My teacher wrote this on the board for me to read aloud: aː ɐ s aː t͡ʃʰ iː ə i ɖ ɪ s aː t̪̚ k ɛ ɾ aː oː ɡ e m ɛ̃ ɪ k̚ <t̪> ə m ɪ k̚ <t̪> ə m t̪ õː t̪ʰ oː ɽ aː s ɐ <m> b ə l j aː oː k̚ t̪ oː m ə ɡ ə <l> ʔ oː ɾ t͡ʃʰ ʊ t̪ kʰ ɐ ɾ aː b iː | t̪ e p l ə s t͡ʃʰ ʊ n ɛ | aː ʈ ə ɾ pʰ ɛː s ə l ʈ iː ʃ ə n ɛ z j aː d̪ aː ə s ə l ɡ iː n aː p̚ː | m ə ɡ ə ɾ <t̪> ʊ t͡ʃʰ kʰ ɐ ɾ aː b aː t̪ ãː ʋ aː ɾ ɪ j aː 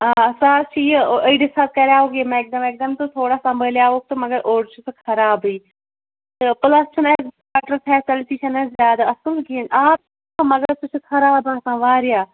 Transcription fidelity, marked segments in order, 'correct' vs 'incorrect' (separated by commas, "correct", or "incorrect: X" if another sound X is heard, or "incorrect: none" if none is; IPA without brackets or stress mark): incorrect: d̪, incorrect: d̪, correct, incorrect: ɾ, correct